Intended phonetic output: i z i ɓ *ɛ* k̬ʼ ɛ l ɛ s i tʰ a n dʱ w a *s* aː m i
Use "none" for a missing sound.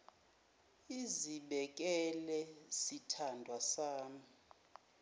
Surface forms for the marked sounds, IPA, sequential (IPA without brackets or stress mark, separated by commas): ɛ, s